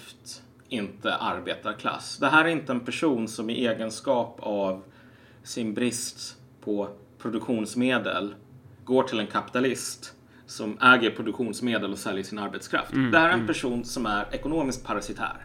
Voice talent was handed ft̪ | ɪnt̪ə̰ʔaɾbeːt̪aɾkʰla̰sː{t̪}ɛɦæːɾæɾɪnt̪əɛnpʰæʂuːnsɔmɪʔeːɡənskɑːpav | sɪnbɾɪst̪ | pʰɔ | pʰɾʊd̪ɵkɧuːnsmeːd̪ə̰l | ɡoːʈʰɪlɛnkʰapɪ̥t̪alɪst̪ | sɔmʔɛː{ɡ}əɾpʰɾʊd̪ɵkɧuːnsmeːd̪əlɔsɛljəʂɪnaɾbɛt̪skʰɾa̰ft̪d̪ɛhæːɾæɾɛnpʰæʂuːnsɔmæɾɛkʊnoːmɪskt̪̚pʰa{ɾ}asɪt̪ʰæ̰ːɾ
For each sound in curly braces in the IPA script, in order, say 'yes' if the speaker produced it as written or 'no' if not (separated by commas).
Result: no, yes, yes